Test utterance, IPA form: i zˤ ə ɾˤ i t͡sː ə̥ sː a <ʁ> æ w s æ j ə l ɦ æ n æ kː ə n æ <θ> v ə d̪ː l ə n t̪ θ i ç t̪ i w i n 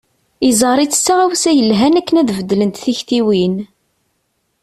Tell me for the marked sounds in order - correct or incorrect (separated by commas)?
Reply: correct, incorrect